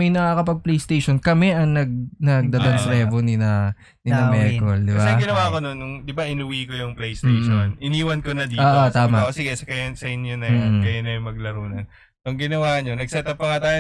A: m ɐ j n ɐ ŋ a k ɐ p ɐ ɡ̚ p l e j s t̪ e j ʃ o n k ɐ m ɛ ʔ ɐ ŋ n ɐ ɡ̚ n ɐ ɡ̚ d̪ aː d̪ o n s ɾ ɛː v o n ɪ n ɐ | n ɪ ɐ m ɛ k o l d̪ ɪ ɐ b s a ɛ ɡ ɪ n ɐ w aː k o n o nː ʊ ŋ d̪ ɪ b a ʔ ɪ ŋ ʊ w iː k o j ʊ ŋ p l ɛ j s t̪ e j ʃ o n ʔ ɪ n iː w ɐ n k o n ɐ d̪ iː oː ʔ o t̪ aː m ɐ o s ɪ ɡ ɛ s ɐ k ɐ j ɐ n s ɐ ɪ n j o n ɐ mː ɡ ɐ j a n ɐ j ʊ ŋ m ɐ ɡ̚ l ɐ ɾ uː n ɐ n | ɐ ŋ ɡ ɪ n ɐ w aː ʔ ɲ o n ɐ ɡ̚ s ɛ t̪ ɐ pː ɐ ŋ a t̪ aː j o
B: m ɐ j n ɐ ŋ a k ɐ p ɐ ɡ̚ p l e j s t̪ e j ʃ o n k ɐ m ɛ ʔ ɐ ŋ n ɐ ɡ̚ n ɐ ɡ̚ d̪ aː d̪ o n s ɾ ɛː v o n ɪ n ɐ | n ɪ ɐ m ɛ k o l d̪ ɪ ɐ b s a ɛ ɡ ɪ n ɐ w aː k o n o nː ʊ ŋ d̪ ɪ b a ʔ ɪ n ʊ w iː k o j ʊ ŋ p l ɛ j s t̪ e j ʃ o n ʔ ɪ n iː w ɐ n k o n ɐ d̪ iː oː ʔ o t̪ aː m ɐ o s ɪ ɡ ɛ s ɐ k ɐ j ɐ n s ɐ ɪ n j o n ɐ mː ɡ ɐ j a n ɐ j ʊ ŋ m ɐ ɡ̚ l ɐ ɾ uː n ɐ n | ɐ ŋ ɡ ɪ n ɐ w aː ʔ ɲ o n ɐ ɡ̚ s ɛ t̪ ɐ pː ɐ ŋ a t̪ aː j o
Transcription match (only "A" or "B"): B